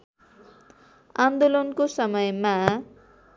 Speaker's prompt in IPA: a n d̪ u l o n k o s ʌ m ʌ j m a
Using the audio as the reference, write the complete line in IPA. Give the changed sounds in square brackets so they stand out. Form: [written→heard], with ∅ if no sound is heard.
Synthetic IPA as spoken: a n d̪ [u→o] l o n k o s ʌ m ʌ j m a